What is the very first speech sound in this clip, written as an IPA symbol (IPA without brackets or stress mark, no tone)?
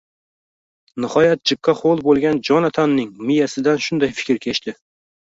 n